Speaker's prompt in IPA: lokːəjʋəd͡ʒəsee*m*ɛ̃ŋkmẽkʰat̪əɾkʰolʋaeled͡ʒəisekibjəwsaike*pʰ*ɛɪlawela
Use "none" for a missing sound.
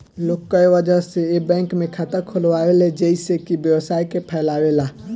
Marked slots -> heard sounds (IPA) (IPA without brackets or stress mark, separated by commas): b, pʰ